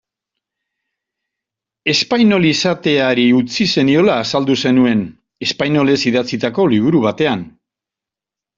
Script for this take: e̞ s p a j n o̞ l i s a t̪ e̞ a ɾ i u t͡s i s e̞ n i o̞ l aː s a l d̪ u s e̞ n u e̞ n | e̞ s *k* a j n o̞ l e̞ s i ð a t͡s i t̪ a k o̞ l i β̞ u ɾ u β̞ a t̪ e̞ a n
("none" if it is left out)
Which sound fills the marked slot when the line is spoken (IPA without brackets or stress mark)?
p